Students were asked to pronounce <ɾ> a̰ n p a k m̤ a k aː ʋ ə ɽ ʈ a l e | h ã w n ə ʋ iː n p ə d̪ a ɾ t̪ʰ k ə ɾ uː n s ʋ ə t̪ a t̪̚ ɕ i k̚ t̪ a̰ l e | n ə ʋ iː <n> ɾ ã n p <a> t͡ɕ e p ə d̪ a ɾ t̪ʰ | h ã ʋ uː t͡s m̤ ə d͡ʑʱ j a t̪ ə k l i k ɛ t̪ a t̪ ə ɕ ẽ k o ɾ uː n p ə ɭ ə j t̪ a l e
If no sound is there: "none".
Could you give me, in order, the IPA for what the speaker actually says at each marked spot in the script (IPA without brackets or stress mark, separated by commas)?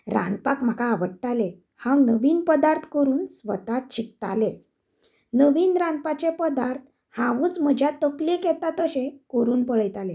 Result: ɾ, n, a